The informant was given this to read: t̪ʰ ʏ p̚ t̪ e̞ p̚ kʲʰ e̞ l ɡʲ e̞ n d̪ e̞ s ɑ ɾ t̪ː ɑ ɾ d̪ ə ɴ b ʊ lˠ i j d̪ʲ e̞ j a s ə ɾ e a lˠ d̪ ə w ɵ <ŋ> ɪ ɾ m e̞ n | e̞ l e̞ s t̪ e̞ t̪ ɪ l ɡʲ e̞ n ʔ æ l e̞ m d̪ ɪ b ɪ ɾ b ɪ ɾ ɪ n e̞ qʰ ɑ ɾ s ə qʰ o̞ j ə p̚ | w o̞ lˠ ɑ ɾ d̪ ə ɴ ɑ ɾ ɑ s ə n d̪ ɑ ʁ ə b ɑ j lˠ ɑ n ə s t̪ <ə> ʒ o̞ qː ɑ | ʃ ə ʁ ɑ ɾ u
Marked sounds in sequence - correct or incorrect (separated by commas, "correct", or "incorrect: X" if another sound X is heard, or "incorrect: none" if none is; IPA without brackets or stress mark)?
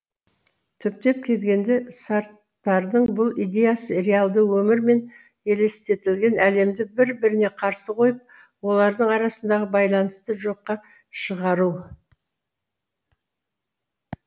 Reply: incorrect: m, correct